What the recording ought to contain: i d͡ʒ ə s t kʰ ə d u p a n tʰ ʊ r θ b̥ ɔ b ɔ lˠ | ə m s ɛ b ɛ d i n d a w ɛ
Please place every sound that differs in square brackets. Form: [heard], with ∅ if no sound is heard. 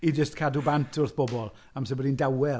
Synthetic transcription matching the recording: i d͡ʒ ə s t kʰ [a] d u [b] a n tʰ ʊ r θ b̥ ɔ b ɔ lˠ | [a] m s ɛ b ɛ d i n d a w ɛ